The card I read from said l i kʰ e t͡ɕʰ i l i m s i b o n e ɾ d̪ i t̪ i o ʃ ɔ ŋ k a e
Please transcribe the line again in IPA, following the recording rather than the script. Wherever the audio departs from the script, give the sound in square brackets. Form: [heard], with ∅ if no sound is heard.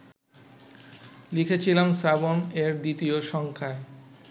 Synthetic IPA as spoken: l i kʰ e t͡ɕʰ i l [a] m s [a] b o n e ɾ d̪ i t̪ i o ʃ ɔ ŋ [kʰ] a e

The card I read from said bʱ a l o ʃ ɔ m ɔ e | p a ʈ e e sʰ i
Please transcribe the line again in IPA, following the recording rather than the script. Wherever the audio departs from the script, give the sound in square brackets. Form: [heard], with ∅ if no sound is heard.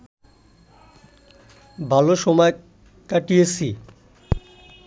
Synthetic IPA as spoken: bʱ a l o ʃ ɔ m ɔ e | [k] a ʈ [i] e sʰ i

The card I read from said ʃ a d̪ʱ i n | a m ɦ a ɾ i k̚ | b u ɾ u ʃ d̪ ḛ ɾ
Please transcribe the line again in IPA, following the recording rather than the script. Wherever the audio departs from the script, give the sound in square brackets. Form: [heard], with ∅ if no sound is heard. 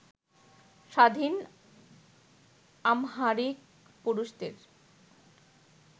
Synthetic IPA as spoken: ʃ a d̪ʱ i n | a m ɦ a ɾ i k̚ | [p] u ɾ u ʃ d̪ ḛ ɾ

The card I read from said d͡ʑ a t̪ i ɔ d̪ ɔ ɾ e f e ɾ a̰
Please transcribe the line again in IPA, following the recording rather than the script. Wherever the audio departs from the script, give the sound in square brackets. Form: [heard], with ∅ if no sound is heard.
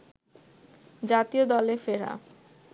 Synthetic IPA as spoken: d͡ʑ a t̪ i [o] d̪ ɔ [l] e f e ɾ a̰

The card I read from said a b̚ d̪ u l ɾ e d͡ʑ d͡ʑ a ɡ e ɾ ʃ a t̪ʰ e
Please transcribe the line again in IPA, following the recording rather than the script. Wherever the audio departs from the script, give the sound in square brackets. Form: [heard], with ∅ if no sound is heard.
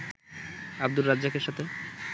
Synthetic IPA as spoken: a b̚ d̪ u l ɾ [a] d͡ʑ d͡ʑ a [k] e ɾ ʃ a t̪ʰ e

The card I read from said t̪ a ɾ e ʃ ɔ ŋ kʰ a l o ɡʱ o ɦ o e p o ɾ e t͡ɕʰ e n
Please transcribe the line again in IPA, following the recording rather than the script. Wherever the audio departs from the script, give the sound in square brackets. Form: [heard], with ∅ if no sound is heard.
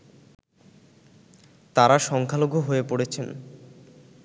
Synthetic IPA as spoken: t̪ a ɾ [a] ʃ ɔ ŋ kʰ a l o ɡʱ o ɦ o e p o [ɽ] e t͡ɕʰ e n

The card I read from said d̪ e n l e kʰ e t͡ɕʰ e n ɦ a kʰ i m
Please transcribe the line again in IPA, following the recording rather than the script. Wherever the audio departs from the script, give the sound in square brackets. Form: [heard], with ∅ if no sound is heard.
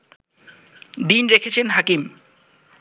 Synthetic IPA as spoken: d̪ [i] n [ɾ] e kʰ e t͡ɕʰ e n ɦ a [k] i m

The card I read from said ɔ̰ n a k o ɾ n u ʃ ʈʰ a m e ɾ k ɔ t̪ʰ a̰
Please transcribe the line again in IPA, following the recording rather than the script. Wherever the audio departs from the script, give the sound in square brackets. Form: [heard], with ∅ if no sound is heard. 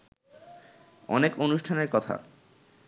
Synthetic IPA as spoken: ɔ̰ n [e] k o [∅] n u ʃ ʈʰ a [n] e ɾ k ɔ t̪ʰ a̰

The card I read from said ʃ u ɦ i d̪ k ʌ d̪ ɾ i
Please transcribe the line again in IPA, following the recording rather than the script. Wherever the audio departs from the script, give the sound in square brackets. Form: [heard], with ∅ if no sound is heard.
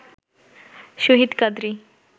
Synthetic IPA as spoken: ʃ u ɦ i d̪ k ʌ d̪ ɾ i

